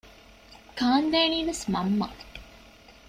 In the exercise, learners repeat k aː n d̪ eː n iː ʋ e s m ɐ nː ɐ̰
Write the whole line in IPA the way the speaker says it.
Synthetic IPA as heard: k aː n d̪ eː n iː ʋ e s m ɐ mː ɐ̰